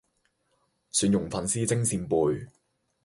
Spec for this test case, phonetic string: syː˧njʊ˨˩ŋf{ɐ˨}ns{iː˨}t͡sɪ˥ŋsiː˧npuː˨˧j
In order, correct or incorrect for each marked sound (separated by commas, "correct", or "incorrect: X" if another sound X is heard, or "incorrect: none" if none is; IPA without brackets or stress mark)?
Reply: correct, incorrect: iː˥